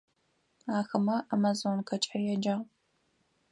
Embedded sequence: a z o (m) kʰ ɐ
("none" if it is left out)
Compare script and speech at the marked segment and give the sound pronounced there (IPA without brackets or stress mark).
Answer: n